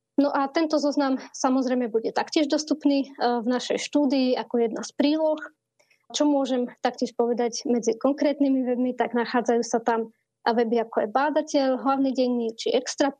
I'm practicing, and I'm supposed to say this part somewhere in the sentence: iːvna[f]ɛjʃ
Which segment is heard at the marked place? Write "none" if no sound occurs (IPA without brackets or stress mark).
ʃ